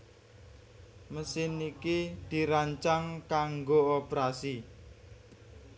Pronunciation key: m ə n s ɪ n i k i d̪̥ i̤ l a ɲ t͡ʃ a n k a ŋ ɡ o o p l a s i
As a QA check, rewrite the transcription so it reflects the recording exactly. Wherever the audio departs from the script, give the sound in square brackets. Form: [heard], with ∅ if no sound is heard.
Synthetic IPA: m ə [∅] s ɪ n i k i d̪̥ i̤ [ɾ] a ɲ t͡ʃ a [ŋ] k a ŋ ɡ o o p [ɾ] a s i